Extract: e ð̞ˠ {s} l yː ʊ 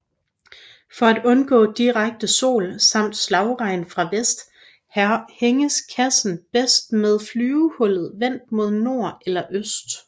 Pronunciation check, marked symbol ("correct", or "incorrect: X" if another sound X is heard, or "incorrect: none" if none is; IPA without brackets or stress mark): incorrect: f